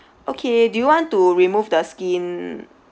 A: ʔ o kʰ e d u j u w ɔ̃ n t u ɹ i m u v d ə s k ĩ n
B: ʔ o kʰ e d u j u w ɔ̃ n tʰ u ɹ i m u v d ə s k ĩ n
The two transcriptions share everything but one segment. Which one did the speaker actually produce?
A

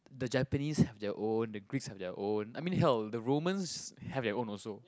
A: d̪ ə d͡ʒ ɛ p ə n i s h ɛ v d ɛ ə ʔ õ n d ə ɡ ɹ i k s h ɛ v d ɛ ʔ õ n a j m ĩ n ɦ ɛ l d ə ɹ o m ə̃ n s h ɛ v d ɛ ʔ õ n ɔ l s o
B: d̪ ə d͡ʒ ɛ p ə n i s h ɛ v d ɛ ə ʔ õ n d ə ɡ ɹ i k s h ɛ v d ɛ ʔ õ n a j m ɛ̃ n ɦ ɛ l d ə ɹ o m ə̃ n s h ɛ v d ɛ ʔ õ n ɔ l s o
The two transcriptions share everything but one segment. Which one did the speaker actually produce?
A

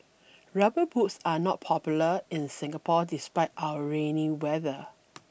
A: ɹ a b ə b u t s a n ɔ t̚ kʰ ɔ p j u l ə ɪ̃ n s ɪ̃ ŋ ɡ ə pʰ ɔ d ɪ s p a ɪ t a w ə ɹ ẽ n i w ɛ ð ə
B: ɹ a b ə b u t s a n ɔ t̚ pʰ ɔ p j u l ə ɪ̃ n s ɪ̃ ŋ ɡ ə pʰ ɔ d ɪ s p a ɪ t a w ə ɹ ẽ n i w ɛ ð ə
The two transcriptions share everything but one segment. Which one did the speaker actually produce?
B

